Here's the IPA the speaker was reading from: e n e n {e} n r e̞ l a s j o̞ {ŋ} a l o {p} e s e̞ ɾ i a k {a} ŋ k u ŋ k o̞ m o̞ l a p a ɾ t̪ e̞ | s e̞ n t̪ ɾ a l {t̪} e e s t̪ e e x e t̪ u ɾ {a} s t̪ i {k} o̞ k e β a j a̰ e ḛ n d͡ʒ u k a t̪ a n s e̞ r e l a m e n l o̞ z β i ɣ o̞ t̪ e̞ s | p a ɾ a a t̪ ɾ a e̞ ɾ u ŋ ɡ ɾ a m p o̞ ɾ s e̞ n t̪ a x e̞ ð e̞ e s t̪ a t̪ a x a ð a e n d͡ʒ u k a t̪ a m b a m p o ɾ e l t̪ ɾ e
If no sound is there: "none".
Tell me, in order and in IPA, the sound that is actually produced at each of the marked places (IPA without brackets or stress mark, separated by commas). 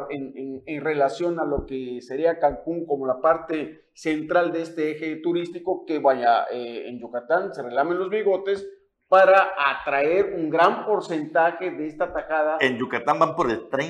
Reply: e, n, k, a, d̪, i, k